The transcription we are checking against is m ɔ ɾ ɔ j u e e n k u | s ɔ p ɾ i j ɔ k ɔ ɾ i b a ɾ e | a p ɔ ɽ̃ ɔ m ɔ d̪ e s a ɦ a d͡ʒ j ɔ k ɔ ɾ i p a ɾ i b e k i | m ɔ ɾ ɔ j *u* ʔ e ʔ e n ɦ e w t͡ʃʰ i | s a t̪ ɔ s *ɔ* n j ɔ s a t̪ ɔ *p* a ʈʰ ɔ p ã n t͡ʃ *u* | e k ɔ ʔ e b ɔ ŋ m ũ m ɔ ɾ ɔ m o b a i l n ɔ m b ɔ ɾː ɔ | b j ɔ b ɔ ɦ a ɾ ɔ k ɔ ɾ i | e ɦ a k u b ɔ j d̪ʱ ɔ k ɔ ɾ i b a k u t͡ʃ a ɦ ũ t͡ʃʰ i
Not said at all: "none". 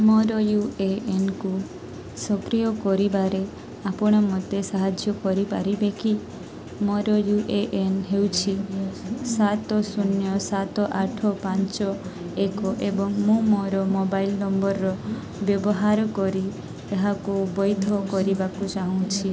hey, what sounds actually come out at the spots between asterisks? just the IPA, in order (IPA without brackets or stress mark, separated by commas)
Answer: u, u, ʔ, ɔ